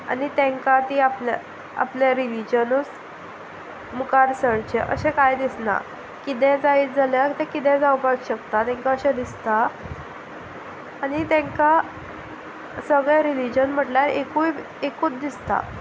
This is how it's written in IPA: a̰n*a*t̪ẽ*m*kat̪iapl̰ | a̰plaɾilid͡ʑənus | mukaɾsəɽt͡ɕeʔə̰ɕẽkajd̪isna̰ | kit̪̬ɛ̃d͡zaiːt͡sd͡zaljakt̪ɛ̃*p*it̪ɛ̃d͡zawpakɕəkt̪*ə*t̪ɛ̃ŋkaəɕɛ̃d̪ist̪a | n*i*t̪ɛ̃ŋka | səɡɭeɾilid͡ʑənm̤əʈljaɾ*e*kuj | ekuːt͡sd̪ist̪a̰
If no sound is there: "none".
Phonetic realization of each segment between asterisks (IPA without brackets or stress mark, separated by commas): i, ŋ, k, a, i, e